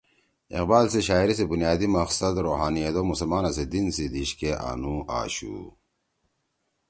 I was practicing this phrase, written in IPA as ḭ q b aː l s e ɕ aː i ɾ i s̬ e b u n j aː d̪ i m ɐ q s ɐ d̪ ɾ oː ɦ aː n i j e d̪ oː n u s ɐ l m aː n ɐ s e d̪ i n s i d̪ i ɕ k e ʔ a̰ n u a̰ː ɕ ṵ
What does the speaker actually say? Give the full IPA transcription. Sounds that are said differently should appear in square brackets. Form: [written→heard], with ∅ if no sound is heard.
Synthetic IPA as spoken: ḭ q b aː l s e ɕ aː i ɾ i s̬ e b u n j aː d̪ i m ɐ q s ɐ d̪ ɾ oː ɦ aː n i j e d̪ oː [n→m] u s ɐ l m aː n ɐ s e d̪ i n s i d̪ i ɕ k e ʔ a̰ n u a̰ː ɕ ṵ